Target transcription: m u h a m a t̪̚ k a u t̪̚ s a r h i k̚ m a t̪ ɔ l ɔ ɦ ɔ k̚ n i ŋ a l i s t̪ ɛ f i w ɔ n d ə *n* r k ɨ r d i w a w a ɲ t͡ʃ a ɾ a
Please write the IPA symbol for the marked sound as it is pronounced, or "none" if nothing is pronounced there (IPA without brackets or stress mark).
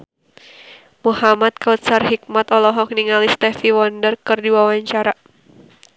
none